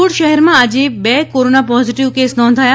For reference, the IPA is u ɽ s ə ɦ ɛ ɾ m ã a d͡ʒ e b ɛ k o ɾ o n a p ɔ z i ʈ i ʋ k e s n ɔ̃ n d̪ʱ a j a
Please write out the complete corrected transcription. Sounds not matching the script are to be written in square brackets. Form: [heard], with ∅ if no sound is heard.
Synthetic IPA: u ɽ [ʃ] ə ɦ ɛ ɾ m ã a d͡ʒ e b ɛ k o ɾ o n a p ɔ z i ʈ i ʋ k e s n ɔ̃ n d̪ʱ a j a